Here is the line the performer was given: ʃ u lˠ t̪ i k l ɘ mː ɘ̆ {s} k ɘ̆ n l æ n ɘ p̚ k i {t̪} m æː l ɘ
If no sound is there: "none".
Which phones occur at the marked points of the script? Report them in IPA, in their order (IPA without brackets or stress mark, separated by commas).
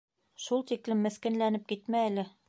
θ, t̪